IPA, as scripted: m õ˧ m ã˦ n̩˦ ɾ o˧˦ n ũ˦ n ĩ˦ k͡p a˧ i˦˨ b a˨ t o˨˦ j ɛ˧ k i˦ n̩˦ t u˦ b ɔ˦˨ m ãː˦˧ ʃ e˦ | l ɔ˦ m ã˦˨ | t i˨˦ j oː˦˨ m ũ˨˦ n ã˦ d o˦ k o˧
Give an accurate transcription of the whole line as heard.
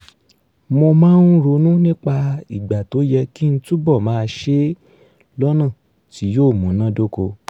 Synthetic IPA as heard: m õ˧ m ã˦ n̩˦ ɾ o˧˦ n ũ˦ n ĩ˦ k͡p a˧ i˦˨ ɡ͡b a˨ t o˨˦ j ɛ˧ k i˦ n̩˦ t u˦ b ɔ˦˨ m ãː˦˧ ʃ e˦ | l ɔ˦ n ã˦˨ | t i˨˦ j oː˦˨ m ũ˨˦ n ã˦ d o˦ k o˧